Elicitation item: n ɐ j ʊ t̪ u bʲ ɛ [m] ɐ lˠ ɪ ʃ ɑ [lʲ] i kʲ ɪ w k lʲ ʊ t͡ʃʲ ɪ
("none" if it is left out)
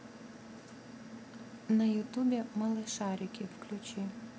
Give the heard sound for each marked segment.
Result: m, ɾʲ

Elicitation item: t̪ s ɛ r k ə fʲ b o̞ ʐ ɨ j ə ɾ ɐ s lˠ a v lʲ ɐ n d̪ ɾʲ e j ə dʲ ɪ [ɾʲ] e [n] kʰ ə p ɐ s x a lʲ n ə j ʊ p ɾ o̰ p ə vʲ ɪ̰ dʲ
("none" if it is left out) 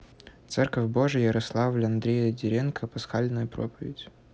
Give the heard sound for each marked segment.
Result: ɾʲ, n

